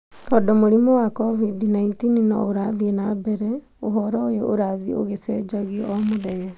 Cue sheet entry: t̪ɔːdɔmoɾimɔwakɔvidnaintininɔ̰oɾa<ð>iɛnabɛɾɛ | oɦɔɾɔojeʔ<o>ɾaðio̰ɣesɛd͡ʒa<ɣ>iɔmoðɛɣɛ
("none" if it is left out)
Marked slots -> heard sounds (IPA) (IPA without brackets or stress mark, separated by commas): ð, o, ɣ